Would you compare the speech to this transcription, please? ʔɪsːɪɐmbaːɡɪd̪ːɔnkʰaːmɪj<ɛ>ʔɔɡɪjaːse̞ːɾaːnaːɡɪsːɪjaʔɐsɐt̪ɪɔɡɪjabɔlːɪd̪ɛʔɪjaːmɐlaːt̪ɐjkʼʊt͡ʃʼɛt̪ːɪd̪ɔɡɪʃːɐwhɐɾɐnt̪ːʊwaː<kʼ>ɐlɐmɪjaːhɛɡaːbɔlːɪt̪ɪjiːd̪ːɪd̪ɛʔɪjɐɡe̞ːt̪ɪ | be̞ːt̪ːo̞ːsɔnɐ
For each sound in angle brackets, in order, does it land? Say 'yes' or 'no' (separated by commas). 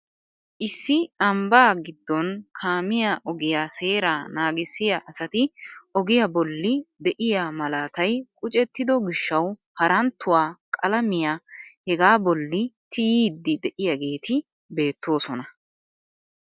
no, yes